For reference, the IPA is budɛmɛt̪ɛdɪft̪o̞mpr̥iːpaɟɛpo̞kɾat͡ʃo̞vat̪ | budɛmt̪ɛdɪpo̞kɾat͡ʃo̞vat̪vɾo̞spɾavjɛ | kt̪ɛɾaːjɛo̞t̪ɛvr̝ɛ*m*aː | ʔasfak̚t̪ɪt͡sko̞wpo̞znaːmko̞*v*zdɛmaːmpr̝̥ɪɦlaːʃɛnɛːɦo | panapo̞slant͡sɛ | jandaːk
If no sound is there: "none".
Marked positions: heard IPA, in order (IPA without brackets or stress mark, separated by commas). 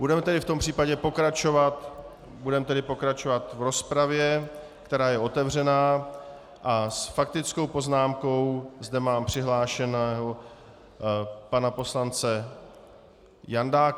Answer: n, w